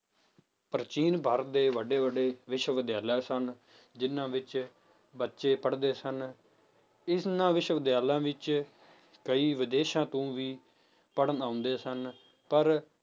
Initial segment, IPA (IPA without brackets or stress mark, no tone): p